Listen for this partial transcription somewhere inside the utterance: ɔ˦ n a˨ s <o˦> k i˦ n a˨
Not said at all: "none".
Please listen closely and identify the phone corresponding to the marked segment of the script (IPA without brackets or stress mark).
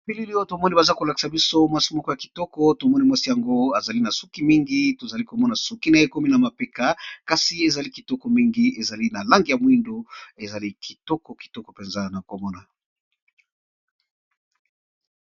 u˦